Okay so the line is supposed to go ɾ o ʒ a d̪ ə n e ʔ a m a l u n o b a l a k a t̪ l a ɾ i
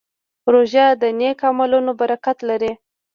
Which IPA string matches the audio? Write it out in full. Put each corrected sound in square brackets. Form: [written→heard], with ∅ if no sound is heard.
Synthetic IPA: ɾ o ʒ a d̪ ə n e [ʔ→k] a m a l u n o b a [l→ɾ] a k a t̪ l a ɾ i

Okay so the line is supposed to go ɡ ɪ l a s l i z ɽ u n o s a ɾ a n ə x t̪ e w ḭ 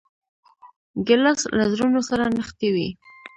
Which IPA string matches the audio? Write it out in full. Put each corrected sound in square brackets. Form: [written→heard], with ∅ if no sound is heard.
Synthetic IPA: ɡ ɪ l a s l [i→a] z [ɽ→ɾ] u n o s a ɾ a n ə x t̪ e w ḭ

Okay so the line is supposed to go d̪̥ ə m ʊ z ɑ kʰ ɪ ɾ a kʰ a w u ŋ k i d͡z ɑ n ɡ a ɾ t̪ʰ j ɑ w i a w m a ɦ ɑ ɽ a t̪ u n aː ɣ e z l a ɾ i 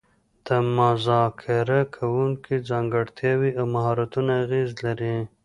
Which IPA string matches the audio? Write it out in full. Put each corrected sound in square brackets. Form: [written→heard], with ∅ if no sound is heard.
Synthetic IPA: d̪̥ ə m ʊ z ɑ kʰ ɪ ɾ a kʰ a w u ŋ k i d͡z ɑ [n→ŋ] ɡ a [ɾ→ɽ] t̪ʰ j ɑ w i a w m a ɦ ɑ [ɽ→ɾ] a t̪ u n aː ɣ e z l a ɾ i

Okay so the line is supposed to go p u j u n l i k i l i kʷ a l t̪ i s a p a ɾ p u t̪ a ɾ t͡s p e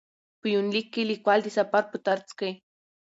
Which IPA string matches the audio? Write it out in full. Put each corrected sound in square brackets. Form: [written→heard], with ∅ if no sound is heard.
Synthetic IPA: p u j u n l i k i l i kʷ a l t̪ i s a p a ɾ p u t̪ a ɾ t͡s [p→k] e

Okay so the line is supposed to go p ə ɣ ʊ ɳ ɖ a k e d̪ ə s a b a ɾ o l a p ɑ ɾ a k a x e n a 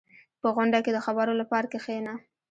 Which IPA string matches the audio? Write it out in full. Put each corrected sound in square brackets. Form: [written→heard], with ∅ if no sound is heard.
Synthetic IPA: p ə ɣ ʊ ɳ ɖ a k e d̪ ə [s→x] a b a ɾ o l a p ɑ ɾ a k [a→e] x e n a

